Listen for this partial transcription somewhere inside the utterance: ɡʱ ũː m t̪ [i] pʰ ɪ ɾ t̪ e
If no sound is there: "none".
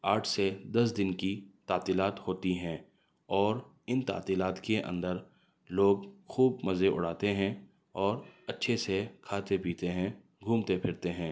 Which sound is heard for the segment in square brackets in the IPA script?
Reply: e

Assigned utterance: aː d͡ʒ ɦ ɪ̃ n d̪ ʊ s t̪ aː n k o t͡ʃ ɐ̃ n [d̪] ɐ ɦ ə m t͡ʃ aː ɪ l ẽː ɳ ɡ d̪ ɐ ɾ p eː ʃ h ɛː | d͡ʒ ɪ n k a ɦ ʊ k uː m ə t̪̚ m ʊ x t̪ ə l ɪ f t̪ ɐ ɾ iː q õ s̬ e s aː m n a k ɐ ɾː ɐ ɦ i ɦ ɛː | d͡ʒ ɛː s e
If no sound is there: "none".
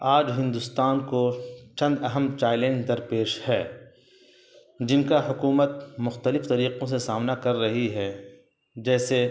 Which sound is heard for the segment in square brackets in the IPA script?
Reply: d̪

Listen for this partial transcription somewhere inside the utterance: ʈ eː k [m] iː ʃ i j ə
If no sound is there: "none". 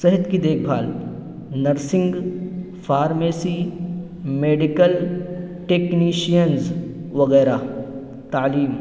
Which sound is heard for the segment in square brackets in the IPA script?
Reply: n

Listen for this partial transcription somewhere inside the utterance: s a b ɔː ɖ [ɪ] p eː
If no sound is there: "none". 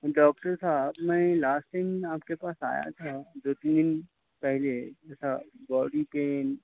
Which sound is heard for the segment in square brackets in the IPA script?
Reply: i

